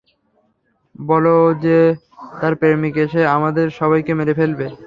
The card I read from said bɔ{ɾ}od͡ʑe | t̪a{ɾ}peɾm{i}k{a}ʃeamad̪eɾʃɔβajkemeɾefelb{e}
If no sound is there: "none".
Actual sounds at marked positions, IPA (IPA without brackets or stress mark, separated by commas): l, ɾ, i, e, e